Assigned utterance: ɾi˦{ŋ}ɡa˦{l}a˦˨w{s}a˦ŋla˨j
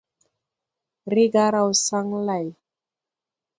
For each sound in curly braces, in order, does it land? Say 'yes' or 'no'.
no, no, yes

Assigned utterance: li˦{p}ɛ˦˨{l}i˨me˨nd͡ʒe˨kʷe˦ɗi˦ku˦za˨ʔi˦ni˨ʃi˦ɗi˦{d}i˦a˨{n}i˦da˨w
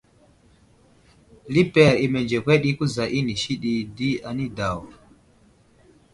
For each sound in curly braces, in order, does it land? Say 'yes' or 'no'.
yes, no, yes, yes

